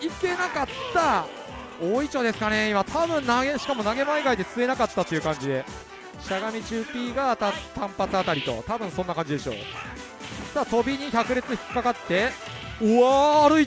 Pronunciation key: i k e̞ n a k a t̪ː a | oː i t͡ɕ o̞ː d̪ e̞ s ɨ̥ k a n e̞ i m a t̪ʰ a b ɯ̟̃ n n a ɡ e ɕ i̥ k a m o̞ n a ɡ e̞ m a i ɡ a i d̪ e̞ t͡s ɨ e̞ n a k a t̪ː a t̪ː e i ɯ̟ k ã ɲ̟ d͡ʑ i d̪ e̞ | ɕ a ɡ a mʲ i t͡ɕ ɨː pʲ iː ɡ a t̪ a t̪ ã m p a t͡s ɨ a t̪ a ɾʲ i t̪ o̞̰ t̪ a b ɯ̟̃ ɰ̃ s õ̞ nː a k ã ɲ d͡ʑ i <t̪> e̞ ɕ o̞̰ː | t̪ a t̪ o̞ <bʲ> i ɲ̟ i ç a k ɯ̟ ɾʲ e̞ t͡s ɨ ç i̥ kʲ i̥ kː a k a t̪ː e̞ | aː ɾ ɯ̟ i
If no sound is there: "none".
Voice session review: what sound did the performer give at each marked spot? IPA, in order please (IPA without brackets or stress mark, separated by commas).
d̪, bʲ